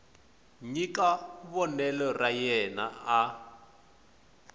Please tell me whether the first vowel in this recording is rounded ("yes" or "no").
no